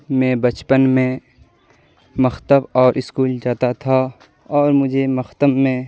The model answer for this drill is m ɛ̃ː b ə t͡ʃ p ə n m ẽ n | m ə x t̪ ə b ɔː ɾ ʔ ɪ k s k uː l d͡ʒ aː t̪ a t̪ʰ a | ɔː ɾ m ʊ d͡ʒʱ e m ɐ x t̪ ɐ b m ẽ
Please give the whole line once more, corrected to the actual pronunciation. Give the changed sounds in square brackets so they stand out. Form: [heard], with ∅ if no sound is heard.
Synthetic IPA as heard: m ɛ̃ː b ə t͡ʃ p ə n m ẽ [∅] | m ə x t̪ ə b ɔː ɾ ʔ ɪ [∅] s k uː l d͡ʒ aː t̪ a t̪ʰ a | ɔː ɾ m ʊ d͡ʒʱ e m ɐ x t̪ [ə] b m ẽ